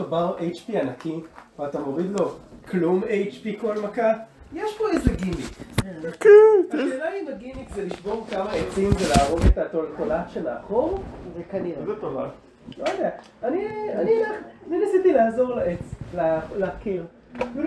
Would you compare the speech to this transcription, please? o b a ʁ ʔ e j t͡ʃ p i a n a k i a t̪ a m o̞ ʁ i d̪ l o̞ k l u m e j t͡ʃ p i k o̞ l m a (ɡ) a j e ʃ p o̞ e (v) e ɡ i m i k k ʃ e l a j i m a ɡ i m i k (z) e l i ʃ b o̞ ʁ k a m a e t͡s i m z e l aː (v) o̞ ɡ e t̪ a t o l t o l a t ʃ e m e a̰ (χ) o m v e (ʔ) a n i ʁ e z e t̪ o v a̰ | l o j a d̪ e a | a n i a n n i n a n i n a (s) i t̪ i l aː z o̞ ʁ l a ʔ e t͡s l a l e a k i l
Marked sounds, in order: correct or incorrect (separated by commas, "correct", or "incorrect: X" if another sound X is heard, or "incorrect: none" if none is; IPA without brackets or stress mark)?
incorrect: k, incorrect: z, correct, incorrect: ʁ, correct, incorrect: k, correct